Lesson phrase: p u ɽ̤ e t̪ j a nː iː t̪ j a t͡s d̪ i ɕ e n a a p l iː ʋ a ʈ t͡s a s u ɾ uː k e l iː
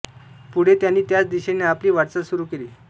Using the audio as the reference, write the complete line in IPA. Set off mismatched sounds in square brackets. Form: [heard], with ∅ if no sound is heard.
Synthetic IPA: p u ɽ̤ e t̪ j a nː iː t̪ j a t͡s d̪ i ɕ e n [e] a p l iː ʋ a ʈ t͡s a s u ɾ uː k e l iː